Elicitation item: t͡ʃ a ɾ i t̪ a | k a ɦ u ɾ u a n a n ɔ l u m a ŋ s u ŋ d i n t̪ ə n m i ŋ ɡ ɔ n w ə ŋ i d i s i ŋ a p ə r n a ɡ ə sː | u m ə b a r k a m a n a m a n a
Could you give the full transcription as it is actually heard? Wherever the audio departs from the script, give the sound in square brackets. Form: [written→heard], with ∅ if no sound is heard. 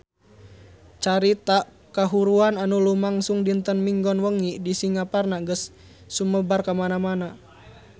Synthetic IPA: t͡ʃ a ɾ i t̪ a | k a ɦ u ɾ u a n a n [ɔ→u] l u m a ŋ s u ŋ d i n t̪ ə n m i ŋ ɡ ɔ n w ə ŋ i d i s i ŋ a p [ə→a] r n a ɡ ə sː | u m ə b a r k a m a n a m a n a